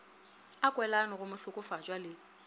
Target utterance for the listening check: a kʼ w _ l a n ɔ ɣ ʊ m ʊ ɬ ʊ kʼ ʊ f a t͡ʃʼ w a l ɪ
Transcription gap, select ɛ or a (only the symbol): ɛ